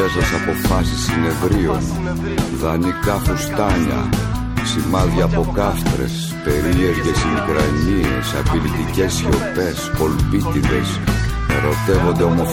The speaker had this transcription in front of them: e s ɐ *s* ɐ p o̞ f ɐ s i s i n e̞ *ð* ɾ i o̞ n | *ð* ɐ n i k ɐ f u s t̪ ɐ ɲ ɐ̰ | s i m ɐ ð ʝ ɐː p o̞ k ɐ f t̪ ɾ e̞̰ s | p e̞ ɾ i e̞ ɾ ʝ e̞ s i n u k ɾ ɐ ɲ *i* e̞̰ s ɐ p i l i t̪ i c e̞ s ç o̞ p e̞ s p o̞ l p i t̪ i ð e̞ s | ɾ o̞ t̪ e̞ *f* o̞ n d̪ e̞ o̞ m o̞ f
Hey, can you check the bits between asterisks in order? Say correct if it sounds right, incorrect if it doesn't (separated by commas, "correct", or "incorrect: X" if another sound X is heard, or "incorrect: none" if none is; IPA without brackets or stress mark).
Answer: correct, incorrect: v, correct, correct, incorrect: v